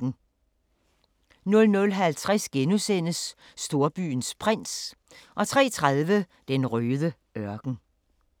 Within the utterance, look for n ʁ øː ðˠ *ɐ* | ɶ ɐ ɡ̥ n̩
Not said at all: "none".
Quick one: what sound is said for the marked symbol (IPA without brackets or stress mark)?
ə